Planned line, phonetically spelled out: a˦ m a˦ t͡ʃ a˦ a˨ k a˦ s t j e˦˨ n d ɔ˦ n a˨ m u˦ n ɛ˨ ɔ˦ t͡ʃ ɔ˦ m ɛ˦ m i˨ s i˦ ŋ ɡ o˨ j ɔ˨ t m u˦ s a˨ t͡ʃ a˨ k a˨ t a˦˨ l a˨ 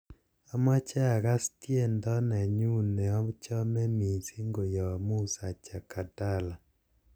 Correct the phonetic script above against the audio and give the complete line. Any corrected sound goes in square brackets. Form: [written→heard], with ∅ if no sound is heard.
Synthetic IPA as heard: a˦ m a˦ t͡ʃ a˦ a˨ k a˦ s t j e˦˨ n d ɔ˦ n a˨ [m→ɲ] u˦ n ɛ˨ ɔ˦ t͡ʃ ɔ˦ m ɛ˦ m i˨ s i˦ ŋ ɡ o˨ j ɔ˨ [t→∅] m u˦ s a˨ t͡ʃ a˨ k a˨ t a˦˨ l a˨